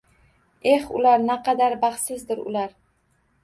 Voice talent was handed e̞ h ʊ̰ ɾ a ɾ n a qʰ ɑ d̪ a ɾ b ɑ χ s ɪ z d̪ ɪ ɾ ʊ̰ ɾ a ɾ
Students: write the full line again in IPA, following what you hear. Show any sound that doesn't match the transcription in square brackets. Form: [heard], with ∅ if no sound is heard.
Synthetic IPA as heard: e̞ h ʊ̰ [l] a ɾ n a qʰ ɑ d̪ a ɾ b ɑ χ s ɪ z d̪ ɪ ɾ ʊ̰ [l] a ɾ